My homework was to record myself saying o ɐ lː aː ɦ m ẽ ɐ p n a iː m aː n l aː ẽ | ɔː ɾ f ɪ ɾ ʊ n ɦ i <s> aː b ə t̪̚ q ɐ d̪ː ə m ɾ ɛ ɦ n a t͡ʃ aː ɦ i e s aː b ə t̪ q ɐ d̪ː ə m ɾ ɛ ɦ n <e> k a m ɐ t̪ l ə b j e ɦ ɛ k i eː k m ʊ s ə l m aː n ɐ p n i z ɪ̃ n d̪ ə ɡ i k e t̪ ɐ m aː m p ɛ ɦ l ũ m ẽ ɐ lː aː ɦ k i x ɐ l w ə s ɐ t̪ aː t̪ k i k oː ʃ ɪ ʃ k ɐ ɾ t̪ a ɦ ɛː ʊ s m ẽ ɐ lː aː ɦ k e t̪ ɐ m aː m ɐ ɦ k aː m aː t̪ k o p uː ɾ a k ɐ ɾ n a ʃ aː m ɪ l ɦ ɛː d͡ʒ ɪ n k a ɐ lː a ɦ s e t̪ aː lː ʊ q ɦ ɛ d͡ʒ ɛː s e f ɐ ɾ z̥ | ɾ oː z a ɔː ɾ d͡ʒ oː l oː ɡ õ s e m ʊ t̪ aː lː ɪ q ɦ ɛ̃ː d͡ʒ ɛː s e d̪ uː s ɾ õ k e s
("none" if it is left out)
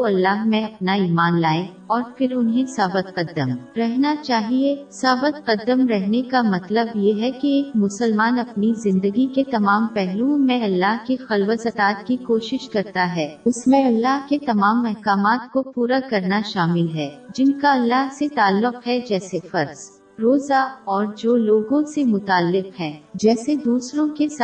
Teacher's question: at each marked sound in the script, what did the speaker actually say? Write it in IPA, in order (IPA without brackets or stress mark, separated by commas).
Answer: s, e